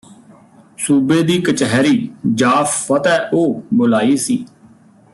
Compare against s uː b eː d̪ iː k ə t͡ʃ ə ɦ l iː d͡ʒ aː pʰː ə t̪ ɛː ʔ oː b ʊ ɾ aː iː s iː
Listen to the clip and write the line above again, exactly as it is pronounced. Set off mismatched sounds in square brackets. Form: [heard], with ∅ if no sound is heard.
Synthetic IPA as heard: s uː b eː d̪ iː k ə t͡ʃ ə ɦ [ɾ] iː d͡ʒ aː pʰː ə t̪ ɛː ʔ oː b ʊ [l] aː iː s iː